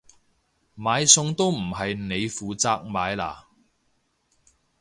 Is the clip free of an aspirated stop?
yes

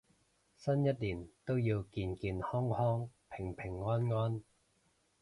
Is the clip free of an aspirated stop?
no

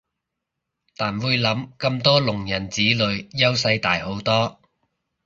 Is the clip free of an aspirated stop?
yes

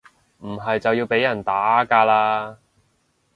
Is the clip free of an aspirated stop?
yes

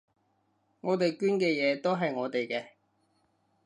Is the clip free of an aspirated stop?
yes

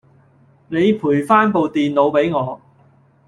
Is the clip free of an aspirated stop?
no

